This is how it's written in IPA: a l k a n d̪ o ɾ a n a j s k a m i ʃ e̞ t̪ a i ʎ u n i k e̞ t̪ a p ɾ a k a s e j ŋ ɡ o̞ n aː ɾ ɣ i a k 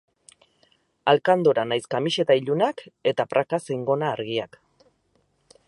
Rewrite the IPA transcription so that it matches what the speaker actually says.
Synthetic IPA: a l k a n d̪ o ɾ a n a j s k a m i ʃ e̞ t̪ a i ʎ u n a k e̞ t̪ a p ɾ a k a s e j ŋ ɡ o̞ n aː ɾ ɣ i a k